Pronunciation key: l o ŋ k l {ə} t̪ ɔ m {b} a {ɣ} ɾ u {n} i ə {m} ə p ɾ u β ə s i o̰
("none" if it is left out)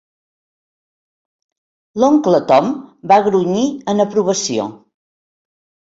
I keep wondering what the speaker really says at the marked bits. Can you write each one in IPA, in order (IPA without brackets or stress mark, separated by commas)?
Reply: ə, b, ɣ, ɲ, n